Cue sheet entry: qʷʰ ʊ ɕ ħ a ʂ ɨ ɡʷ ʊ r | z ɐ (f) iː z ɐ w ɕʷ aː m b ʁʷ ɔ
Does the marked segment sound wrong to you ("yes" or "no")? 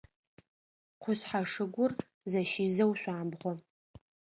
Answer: yes